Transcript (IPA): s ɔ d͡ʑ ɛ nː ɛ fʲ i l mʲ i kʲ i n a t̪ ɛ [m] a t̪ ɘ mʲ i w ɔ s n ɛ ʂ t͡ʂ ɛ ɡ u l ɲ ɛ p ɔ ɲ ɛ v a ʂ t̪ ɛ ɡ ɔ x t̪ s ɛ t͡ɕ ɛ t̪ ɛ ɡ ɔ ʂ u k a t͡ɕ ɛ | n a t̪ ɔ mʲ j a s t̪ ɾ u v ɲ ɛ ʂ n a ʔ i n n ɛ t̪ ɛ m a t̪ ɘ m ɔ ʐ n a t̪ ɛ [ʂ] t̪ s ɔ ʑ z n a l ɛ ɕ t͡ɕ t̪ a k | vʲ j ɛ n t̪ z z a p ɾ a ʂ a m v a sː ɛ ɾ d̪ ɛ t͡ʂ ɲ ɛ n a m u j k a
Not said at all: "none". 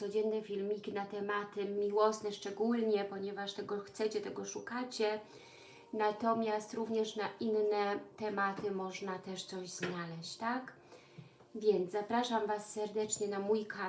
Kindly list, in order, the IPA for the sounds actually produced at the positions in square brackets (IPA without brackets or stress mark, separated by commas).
m, ʂ